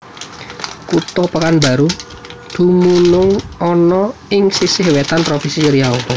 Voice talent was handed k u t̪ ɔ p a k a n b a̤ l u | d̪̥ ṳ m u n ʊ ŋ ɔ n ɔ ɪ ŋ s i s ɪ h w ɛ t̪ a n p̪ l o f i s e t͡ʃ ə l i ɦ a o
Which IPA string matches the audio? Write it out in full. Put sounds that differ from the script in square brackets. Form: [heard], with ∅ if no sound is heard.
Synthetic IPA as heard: k u t̪ ɔ p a k a n b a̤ [ɾ] u | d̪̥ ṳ m u n ʊ ŋ ɔ n ɔ ɪ ŋ s i s ɪ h w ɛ t̪ a n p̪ [ɾ] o f i s [i] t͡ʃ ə [ɾ] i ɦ a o